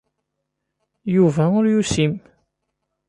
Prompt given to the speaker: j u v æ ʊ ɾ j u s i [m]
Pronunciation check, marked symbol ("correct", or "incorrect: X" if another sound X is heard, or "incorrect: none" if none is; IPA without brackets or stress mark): correct